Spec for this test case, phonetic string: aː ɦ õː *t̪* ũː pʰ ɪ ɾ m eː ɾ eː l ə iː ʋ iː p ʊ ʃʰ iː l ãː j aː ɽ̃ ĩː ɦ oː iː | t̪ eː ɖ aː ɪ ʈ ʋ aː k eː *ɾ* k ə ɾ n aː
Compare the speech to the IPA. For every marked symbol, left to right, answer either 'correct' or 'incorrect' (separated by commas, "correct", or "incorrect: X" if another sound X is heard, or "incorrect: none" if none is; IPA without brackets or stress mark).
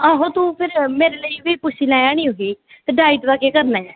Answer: correct, incorrect: none